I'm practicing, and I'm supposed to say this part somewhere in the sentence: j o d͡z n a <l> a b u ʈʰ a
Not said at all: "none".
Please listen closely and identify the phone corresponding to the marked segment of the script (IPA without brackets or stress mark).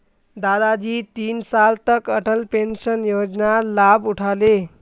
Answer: l